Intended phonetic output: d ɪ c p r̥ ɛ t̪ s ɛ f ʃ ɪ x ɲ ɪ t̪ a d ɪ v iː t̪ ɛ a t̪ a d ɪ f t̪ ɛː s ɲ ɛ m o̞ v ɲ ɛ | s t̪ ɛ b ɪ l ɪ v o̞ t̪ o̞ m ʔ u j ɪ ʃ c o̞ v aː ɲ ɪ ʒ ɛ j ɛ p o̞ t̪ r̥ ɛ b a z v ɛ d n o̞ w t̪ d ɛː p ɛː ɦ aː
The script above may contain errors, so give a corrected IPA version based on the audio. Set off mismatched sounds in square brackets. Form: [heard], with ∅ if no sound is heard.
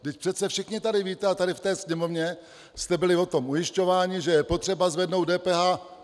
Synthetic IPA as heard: d ɪ c p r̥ ɛ t̪ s ɛ f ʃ ɪ x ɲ ɪ t̪ a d ɪ v iː t̪ ɛ a t̪ a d ɪ f t̪ ɛː s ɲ ɛ m o̞ v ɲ ɛ | s t̪ ɛ b ɪ l ɪ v o̞ t̪ o̞ m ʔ u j ɪ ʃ c o̞ v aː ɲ ɪ ʒ ɛ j ɛ p o̞ t̪ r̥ ɛ b a z v ɛ d n o̞ w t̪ d ɛː p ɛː ɦ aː